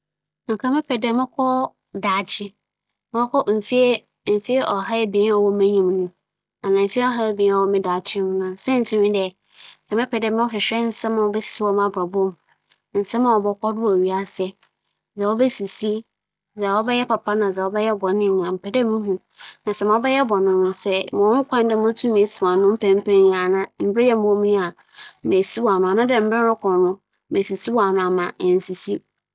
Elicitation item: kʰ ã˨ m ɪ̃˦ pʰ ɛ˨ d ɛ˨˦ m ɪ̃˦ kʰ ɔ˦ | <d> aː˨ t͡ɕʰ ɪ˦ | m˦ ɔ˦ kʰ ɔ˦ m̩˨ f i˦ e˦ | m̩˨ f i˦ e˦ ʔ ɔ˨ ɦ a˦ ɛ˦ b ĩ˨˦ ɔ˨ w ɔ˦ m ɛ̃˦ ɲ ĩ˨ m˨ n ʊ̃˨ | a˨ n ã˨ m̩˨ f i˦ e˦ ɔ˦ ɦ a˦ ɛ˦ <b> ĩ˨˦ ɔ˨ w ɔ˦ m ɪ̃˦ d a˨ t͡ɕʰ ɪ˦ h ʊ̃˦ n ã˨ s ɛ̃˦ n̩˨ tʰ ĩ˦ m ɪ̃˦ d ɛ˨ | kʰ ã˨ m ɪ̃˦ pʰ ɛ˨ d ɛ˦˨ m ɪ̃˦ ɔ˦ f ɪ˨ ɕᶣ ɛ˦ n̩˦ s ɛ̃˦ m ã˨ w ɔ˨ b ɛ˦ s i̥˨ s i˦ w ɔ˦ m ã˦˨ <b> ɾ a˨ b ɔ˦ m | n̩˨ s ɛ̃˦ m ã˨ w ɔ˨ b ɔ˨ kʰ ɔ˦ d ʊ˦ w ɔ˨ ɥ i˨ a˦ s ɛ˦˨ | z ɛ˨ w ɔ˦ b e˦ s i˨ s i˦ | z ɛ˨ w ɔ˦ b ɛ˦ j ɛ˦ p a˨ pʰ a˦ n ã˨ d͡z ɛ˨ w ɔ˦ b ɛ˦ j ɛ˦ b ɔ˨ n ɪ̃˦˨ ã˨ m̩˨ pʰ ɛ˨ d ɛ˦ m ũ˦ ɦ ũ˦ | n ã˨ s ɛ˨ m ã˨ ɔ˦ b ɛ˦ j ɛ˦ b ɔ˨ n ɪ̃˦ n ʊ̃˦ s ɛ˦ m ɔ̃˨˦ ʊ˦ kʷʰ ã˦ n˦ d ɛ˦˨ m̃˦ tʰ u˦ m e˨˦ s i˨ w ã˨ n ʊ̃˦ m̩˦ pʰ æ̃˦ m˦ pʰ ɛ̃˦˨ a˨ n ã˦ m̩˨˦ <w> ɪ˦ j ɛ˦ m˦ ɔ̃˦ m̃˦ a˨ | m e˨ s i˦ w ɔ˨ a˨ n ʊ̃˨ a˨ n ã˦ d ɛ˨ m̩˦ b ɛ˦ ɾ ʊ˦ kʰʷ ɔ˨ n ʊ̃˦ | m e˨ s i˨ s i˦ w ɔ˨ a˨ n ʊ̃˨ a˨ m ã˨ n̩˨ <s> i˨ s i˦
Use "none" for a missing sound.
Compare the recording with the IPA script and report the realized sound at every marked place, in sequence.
d, b, b, b, s

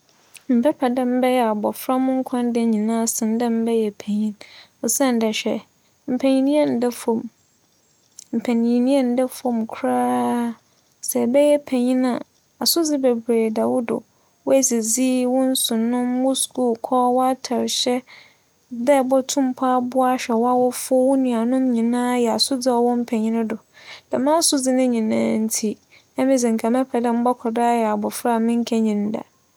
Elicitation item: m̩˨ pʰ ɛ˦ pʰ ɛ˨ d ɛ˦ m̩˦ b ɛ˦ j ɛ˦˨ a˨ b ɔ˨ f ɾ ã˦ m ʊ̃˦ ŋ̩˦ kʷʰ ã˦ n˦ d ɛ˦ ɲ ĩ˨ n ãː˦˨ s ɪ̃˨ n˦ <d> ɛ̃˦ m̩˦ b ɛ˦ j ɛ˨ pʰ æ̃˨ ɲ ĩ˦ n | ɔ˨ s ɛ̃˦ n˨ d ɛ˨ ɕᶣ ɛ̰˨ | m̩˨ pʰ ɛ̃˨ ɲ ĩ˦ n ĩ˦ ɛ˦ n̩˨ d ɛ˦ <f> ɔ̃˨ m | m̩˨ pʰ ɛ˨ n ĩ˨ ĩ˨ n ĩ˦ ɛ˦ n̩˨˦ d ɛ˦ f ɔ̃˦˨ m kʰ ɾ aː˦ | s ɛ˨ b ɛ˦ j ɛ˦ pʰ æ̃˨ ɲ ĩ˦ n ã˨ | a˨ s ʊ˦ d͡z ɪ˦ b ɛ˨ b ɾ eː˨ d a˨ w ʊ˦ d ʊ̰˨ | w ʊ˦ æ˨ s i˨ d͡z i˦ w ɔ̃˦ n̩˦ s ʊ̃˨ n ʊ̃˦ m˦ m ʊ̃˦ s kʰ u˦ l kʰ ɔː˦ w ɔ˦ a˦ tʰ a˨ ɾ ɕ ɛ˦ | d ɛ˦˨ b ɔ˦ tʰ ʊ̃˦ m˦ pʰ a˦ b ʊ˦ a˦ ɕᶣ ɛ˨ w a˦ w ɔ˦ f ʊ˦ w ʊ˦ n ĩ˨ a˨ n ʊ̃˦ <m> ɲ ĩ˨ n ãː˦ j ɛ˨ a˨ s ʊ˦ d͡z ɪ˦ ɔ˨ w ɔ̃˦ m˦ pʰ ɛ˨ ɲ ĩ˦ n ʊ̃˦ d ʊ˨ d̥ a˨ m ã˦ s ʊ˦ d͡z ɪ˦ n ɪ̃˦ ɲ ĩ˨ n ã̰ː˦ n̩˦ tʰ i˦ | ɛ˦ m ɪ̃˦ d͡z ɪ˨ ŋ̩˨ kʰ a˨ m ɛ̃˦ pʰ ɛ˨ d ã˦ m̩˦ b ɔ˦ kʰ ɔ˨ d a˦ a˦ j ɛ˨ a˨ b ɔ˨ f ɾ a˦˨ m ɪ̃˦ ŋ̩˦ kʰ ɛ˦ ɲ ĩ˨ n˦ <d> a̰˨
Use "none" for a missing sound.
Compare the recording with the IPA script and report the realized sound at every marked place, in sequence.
d, f, m, d

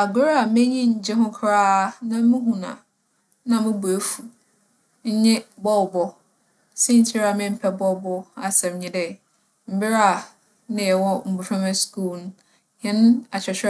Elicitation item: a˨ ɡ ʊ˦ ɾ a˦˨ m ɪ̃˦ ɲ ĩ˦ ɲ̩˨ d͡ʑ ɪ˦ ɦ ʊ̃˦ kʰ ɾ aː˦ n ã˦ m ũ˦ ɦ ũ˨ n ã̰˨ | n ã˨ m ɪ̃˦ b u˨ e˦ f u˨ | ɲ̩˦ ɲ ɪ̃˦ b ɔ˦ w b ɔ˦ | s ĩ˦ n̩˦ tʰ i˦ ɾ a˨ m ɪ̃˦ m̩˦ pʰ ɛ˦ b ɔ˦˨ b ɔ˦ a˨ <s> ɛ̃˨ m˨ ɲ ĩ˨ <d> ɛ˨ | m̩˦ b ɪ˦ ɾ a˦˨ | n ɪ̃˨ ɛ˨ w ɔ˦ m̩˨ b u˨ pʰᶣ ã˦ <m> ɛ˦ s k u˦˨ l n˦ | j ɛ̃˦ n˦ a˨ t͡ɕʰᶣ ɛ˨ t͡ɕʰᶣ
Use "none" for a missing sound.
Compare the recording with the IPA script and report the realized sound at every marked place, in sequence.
s, d, m

